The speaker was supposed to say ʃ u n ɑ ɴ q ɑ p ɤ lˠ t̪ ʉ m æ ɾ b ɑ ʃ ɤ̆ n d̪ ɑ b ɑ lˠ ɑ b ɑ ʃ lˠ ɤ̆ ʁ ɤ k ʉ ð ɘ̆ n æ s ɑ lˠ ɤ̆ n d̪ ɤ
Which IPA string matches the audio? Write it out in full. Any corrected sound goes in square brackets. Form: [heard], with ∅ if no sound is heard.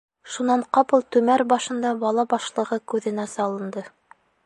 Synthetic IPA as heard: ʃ u n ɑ ɴ q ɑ p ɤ lˠ t̪ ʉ m æ ɾ b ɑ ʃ ɤ̆ n d̪ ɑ b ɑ lˠ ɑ b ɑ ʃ lˠ ɤ̆ ʁ ɤ k ʉ ð ɘ̆ n æ s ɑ lˠ ɤ̆ n d̪ ɤ

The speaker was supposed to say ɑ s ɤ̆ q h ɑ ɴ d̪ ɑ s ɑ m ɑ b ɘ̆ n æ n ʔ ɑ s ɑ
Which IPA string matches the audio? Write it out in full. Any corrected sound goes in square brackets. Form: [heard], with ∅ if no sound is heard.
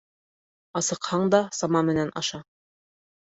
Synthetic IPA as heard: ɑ s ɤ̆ q h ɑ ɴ d̪ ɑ s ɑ m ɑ [m] ɘ̆ n æ n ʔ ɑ [ʃ] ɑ

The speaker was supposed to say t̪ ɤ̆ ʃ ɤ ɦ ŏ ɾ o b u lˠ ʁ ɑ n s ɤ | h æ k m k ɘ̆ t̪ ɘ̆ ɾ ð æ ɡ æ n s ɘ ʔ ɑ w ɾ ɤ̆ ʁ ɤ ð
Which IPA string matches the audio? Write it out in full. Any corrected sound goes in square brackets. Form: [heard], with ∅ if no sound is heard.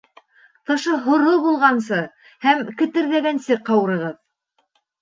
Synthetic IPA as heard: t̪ ɤ̆ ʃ ɤ ɦ ŏ ɾ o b u lˠ ʁ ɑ n s ɤ | h æ [∅] m k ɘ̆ t̪ ɘ̆ ɾ ð æ ɡ æ n s ɘ [q] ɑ w ɾ ɤ̆ ʁ ɤ ð

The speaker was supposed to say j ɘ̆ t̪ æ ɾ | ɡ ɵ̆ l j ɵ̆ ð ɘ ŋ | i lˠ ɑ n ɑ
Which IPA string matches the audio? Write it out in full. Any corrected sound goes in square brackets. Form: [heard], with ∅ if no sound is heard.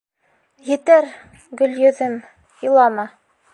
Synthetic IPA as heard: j ɘ̆ t̪ æ ɾ | ɡ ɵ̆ l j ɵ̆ ð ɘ [m] | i lˠ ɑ [m] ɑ

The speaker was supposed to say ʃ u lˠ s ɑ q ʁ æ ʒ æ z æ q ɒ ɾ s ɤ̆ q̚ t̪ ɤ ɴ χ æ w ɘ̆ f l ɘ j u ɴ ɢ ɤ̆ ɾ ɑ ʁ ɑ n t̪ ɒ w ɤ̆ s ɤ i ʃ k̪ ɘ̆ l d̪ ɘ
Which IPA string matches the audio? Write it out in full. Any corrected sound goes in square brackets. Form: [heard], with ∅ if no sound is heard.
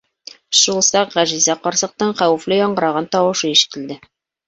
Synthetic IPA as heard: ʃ u lˠ s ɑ q ʁ æ ʒ [i] z æ q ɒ ɾ s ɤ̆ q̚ t̪ ɤ ɴ χ æ w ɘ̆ f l ɘ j [ɒ] ɴ ɢ ɤ̆ ɾ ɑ ʁ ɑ n t̪ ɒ w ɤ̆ [ʃ] ɤ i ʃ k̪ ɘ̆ l d̪ ɘ

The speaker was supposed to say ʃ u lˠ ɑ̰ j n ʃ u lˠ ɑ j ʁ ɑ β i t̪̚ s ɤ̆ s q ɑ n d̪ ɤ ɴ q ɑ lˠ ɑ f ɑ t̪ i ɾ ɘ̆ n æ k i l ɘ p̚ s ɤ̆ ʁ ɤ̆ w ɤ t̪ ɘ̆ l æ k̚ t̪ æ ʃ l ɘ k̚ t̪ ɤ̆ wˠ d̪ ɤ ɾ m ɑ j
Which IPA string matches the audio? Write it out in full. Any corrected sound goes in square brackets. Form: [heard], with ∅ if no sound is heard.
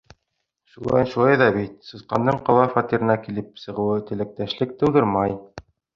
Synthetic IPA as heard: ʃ u lˠ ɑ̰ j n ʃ u lˠ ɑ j [ð] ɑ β i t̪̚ s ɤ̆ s q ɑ n d̪ ɤ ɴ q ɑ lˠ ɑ f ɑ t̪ i ɾ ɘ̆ n æ k i l ɘ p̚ s ɤ̆ ʁ ɤ̆ w ɤ t̪ ɘ̆ l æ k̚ t̪ æ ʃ l ɘ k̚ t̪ ɤ̆ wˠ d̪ ɤ ɾ m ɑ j

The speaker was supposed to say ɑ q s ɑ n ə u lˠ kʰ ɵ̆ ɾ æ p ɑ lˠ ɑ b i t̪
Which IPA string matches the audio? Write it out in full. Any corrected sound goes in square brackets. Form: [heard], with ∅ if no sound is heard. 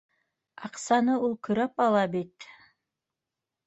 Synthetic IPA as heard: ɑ q s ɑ n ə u lˠ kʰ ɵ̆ ɾ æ p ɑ lˠ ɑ b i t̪

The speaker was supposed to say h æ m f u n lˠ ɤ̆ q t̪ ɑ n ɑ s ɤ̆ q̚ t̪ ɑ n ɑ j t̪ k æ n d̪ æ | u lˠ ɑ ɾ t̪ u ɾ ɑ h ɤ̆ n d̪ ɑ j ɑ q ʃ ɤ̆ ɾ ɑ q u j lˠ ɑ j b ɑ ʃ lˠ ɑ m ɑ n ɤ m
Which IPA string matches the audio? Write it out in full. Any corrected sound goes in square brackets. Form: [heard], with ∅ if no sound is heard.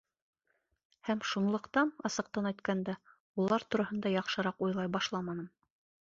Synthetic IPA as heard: h æ m [ʃ] u n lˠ ɤ̆ q t̪ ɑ n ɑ s ɤ̆ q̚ t̪ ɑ n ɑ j t̪ k æ n d̪ æ | u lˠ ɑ ɾ t̪ u ɾ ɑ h ɤ̆ n d̪ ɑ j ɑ q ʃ ɤ̆ ɾ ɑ q u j lˠ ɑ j b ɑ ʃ lˠ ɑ m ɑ n ɤ m

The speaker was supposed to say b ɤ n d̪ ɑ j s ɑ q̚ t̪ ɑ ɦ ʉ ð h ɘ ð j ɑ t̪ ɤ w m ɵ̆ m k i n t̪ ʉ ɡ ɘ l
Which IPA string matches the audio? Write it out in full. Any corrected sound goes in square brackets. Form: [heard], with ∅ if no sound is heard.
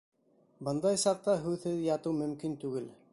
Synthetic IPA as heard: b ɤ n d̪ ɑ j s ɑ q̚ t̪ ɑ ɦ ʉ ð h ɘ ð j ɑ t̪ ɤ w m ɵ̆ m k i n t̪ ʉ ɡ ɘ l

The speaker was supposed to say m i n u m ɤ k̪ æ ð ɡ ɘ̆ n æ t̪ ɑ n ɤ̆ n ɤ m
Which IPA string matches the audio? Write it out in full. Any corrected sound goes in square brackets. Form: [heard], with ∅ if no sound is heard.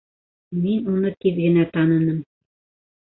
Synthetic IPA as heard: m i n u [n] ɤ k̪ [i] ð ɡ ɘ̆ n æ t̪ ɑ n ɤ̆ n ɤ m

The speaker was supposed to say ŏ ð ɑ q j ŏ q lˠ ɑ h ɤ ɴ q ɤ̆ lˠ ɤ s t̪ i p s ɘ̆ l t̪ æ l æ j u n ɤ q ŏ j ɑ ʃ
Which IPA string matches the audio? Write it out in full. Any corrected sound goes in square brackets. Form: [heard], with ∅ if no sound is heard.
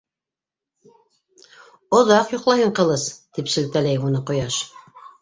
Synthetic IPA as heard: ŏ ð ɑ q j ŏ q lˠ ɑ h ɤ ɴ q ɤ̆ lˠ ɤ s t̪ i p s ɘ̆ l t̪ æ l æ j u n ɤ q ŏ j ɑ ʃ

